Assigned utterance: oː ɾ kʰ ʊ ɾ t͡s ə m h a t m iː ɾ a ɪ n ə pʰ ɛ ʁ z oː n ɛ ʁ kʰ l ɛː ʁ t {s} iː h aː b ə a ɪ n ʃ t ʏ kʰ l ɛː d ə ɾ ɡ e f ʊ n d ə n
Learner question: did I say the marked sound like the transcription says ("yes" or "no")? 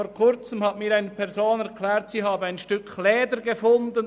yes